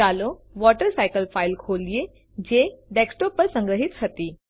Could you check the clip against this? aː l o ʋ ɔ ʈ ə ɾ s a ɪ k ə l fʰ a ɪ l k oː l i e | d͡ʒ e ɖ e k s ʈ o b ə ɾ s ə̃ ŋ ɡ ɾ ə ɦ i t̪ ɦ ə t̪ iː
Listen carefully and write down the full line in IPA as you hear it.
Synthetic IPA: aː l o ʋ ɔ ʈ ə ɾ s a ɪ k ə l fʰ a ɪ l kʰ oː l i e | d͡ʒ e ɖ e k s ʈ o p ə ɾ s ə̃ ŋ ɡ ɾ ə ɦ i t̪ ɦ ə t̪ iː